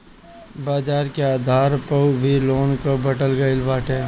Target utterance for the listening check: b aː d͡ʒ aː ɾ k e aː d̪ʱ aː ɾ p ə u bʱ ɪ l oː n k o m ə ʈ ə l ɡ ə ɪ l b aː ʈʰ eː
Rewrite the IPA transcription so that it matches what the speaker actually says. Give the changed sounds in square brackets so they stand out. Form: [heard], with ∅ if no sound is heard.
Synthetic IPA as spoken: b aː d͡ʒ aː ɾ k e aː d̪ʱ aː ɾ p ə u bʱ [i] l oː n k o [b] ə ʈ ə l ɡ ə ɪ l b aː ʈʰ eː